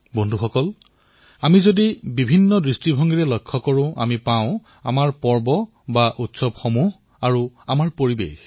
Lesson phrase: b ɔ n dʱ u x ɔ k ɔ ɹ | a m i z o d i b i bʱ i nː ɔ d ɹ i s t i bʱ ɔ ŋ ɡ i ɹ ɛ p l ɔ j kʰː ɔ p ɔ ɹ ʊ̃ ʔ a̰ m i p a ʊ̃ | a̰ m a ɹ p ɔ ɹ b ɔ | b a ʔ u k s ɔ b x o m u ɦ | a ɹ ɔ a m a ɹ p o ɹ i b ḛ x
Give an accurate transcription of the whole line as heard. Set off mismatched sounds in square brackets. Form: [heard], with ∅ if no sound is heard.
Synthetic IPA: b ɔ n dʱ u x ɔ k ɔ [l] | a m i z o d i b i bʱ i nː ɔ d ɹ i s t i bʱ ɔ ŋ ɡ i ɹ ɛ [∅] l ɔ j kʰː ɔ [k] ɔ ɹ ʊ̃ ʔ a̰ m i p a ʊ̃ | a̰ m a ɹ p ɔ ɹ b ɔ | b a ʔ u [t] s ɔ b x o m u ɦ | a ɹ [u] a m a ɹ p o ɹ i b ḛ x

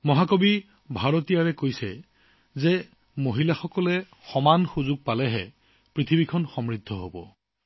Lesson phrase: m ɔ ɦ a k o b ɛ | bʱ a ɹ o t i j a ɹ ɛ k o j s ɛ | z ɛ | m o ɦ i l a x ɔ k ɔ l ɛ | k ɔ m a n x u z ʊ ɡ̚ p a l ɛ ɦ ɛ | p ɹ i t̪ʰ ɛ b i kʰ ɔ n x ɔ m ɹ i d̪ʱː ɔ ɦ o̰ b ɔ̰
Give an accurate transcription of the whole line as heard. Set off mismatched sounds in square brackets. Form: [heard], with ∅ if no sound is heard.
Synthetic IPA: m ɔ ɦ a k o b [i] | bʱ a ɹ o t i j a ɹ ɛ k o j s ɛ | z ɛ | m o ɦ i l a x ɔ k ɔ l ɛ | [x] ɔ m a n x u z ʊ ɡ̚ p a l ɛ ɦ ɛ | p ɹ i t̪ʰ [i] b i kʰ ɔ n x ɔ m ɹ i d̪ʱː ɔ ɦ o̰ b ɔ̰

